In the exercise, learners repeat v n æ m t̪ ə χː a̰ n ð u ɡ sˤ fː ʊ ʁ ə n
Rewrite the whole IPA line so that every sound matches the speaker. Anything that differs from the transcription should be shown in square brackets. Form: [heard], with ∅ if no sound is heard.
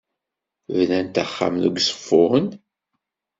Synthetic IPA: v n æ [n] t̪ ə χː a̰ [m] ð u ɡ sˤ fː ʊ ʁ ə n